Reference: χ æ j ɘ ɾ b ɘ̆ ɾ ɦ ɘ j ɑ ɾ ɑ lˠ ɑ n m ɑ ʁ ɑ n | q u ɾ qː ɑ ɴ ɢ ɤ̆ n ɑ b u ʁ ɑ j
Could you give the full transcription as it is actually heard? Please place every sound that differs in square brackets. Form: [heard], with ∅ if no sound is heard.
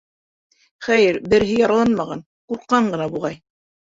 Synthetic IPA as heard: χ æ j ɘ ɾ b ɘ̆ ɾ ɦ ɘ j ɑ ɾ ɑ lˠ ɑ n m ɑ ʁ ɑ n | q u ɾ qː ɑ ɴ ɢ ɤ̆ n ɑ b u ʁ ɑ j